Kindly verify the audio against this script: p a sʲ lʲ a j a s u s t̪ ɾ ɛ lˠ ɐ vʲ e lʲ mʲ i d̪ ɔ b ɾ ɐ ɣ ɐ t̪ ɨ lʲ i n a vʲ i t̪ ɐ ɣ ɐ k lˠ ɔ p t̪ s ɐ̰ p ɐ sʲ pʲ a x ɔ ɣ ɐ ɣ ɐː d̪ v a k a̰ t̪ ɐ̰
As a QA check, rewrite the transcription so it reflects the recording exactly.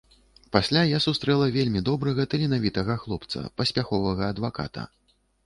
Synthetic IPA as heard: p a sʲ lʲ a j a s u s t̪ ɾ ɛ lˠ ɐ vʲ e lʲ mʲ i d̪ ɔ b ɾ ɐ ɣ ɐ t̪ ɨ lʲ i n a vʲ i t̪ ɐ ɣ ɐ x lˠ ɔ p t̪ s ɐ̰ p ɐ sʲ pʲ a x ɔ v ɐ ɣ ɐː d̪ v a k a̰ t̪ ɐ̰

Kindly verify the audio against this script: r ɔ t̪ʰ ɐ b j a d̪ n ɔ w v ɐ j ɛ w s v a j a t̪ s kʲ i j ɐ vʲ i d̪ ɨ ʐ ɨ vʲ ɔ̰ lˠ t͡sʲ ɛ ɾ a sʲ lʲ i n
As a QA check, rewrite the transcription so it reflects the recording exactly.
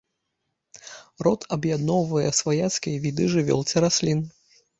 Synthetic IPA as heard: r ɔ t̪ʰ ɐ b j a d̪ n ɔ w v ɐ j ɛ s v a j a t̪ s kʲ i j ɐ vʲ i d̪ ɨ ʐ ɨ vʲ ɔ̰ lˠ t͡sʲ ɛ ɾ a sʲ lʲ i n

